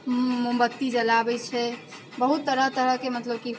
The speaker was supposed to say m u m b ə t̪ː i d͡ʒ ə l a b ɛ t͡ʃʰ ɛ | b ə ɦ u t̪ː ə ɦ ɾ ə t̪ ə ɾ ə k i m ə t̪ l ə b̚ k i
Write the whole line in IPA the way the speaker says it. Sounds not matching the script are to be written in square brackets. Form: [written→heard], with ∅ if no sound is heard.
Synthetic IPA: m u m b ə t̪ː i d͡ʒ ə l a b ɛ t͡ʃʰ ɛ | b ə ɦ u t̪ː ə [ɦ→∅] ɾ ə t̪ ə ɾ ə k [i→e] m ə t̪ l ə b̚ k i